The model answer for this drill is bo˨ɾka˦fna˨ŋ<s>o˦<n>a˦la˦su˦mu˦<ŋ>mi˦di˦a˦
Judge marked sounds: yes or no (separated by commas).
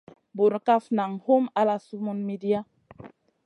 no, no, no